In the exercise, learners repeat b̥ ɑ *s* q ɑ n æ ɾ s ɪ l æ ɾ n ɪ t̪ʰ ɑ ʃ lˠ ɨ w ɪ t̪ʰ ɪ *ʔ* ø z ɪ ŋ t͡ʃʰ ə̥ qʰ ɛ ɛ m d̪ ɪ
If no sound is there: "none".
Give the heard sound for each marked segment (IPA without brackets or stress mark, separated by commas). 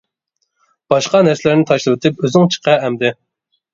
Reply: ʃ, p